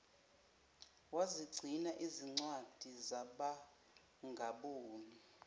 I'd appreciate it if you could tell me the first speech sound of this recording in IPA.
w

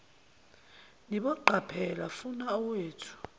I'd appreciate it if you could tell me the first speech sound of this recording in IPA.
n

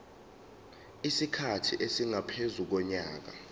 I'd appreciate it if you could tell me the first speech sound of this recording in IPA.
i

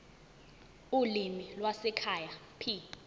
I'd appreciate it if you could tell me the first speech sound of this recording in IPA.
u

